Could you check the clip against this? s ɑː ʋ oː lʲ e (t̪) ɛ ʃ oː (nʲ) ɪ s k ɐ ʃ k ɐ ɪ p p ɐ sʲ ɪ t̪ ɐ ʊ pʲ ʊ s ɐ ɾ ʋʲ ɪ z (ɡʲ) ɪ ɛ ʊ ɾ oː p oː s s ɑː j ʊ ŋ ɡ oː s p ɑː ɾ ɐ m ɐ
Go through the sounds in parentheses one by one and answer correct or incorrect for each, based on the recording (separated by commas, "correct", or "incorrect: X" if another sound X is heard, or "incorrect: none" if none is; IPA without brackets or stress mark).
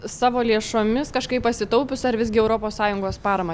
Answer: incorrect: none, incorrect: mʲ, correct